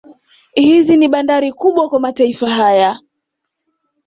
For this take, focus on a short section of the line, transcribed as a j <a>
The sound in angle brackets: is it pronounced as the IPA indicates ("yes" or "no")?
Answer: yes